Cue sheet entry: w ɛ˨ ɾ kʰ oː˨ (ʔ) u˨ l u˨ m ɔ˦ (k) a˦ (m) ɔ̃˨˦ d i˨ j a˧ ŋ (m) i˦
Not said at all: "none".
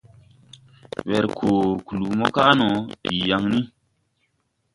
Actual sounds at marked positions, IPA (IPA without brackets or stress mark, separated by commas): k, k, n, n